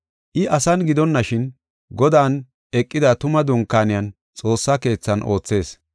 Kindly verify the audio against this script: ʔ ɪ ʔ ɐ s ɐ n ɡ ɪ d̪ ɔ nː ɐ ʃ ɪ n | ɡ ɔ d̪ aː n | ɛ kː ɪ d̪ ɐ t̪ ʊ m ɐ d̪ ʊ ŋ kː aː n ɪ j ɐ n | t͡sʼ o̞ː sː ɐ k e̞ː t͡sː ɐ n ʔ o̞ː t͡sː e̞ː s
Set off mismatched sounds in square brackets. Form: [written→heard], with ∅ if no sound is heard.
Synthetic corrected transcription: ʔ ɪ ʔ ɐ s ɐ n ɡ ɪ d̪ ɔ nː ɐ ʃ ɪ n | ɡ ɔ d̪ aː n | ɛ [kː→kʼː] ɪ d̪ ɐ t̪ ʊ m ɐ d̪ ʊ ŋ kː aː n ɪ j ɐ n | t͡sʼ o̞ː sː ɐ k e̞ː t͡sː ɐ n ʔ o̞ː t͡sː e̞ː s